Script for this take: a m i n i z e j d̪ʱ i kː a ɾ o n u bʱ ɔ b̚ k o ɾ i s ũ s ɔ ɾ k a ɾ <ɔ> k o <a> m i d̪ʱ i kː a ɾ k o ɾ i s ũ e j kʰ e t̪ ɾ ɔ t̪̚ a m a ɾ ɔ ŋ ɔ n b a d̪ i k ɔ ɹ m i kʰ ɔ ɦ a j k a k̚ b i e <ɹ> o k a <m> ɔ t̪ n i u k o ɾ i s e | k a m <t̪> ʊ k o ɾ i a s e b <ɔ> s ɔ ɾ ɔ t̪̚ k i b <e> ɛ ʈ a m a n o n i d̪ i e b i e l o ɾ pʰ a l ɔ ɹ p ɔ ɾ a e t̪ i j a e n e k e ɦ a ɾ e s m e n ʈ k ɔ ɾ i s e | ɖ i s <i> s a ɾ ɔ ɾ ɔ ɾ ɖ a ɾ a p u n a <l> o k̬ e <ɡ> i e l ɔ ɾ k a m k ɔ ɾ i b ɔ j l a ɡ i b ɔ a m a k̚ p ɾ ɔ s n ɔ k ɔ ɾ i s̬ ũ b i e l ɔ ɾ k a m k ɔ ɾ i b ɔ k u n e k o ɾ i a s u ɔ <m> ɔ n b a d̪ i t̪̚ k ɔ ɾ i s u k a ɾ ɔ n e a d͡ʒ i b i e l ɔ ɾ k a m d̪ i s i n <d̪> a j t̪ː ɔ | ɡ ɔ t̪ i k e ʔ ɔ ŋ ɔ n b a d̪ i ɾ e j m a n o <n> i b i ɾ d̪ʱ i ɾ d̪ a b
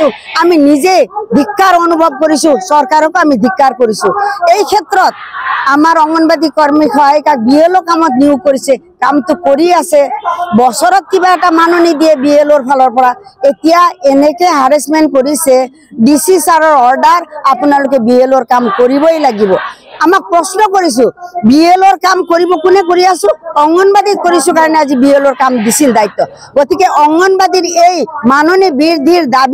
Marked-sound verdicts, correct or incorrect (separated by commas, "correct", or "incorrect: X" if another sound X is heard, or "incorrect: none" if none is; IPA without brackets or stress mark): correct, correct, incorrect: l, correct, correct, correct, incorrect: a, correct, correct, incorrect: b, incorrect: ŋ, correct, correct